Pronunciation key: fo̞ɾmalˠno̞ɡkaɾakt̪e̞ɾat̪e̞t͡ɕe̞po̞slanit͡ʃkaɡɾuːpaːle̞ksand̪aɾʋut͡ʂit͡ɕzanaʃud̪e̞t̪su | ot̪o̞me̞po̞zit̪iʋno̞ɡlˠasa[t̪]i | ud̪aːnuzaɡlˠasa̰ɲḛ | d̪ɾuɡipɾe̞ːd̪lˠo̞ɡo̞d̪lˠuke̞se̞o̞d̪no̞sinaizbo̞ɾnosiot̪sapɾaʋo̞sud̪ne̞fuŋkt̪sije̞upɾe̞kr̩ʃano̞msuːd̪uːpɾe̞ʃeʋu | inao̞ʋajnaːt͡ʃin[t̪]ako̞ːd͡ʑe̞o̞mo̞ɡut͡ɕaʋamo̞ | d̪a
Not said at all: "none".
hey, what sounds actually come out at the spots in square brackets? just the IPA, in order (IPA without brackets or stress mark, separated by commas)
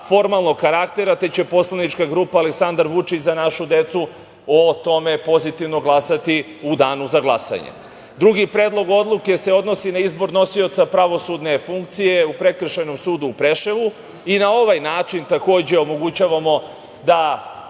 t̪, t̪